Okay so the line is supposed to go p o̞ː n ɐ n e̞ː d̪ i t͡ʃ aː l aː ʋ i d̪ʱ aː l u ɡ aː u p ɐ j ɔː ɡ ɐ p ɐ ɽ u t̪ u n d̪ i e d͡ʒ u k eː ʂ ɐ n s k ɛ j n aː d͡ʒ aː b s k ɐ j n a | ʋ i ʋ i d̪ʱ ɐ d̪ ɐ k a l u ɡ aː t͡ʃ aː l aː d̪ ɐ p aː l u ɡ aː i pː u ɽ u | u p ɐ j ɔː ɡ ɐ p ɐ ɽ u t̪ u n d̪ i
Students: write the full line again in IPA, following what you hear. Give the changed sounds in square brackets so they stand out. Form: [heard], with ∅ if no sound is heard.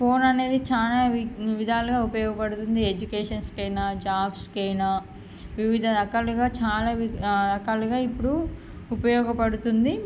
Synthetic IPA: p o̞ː n ɐ n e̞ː d̪ i t͡ʃ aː l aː ʋ i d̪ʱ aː l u ɡ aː u p ɐ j ɔː ɡ ɐ p ɐ ɽ u t̪ u n d̪ i e d͡ʒ u k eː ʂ ɐ n s k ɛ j n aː d͡ʒ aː b s k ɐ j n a | ʋ i ʋ i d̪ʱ ɐ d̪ ɐ k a l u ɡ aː t͡ʃ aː l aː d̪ ɐ [k] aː l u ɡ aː i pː u ɽ u | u p ɐ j ɔː ɡ ɐ p ɐ ɽ u t̪ u n d̪ i

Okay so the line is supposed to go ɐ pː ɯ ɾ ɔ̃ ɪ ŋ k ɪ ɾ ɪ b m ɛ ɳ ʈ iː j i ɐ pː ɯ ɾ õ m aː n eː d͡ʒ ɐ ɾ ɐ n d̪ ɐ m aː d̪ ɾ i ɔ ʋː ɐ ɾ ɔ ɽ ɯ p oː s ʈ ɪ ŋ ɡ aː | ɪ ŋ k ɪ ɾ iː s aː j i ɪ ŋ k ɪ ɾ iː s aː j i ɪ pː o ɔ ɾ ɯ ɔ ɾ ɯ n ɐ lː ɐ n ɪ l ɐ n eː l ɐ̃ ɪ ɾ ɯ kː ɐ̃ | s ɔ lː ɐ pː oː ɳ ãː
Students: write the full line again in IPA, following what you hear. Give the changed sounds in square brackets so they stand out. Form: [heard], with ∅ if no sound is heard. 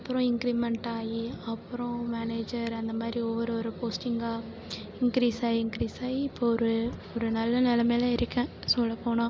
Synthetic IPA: ɐ pː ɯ ɾ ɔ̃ ɪ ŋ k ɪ ɾ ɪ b m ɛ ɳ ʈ [aː] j i ɐ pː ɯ ɾ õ m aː n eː d͡ʒ ɐ ɾ ɐ n d̪ ɐ m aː d̪ ɾ i ɔ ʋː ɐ ɾ ɔ [ɾ] ɯ p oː s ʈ ɪ ŋ ɡ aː | ɪ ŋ k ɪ ɾ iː s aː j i ɪ ŋ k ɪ ɾ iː s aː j i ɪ pː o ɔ ɾ ɯ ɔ ɾ ɯ n ɐ lː ɐ n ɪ l ɐ [m] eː l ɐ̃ ɪ ɾ ɯ kː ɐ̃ | s ɔ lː ɐ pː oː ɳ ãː

